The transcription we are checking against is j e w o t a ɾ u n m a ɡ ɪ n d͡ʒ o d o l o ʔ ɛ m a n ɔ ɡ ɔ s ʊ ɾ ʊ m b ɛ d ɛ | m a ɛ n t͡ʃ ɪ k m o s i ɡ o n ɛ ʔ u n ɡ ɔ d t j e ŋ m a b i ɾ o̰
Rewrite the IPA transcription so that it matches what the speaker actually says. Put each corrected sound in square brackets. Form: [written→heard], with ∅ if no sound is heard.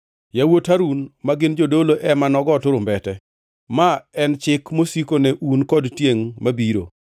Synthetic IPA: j [e→a] w o t a ɾ u n m a ɡ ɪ n d͡ʒ o d o l o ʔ ɛ m a n ɔ ɡ ɔ [s→t] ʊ ɾ ʊ m b ɛ [d→t] ɛ | m a ɛ n t͡ʃ ɪ k m o s i [ɡ→k] o n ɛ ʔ u n [ɡ→k] ɔ d t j e ŋ m a b i ɾ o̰